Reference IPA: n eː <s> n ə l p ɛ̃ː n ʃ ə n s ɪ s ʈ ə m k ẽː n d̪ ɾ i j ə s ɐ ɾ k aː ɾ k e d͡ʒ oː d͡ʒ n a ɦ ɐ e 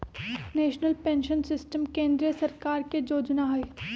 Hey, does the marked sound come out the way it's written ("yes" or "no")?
no